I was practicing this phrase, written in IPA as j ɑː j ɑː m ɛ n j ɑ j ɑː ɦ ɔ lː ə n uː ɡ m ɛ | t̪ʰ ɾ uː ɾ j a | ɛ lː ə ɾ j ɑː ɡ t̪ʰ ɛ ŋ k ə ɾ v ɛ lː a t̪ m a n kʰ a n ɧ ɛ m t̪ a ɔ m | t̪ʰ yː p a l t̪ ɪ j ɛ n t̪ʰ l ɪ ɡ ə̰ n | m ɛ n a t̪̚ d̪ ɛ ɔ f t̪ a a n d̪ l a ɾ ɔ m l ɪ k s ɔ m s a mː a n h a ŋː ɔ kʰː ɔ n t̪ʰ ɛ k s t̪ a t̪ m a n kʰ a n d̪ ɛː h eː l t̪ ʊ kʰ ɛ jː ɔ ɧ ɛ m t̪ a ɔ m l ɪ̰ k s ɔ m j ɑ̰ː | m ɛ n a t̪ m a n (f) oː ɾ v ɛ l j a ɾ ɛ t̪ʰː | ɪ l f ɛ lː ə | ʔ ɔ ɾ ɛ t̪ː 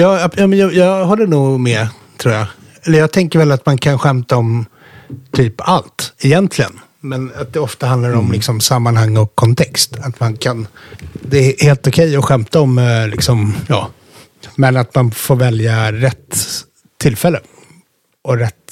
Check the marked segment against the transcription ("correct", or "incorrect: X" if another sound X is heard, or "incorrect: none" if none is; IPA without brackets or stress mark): correct